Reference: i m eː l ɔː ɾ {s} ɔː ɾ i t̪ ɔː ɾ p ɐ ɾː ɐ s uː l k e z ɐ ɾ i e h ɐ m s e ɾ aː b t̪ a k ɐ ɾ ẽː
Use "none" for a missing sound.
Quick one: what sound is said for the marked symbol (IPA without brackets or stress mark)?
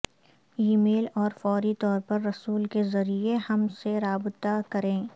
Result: f